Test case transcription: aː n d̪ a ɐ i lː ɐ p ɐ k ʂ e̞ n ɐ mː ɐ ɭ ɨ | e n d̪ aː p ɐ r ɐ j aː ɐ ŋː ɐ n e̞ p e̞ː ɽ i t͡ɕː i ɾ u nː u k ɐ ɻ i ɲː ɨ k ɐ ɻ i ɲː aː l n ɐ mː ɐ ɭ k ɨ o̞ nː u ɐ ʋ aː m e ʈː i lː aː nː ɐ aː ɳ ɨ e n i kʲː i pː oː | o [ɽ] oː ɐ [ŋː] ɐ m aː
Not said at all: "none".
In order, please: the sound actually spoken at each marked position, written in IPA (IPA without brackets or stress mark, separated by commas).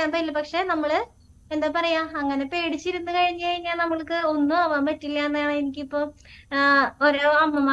ɾ, mː